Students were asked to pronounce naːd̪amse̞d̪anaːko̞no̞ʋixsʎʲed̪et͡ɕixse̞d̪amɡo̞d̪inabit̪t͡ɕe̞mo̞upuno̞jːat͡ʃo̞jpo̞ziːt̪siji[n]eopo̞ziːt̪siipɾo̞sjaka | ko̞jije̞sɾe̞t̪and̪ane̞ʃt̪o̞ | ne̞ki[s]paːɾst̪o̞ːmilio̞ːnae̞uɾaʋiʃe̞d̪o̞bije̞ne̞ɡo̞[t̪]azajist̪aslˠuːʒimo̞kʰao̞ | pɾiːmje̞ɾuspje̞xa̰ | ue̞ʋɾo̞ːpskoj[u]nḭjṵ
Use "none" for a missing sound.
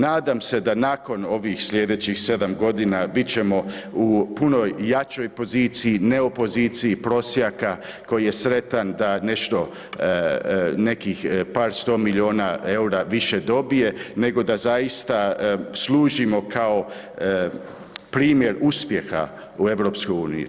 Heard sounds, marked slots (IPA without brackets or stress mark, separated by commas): n, x, d̪, uː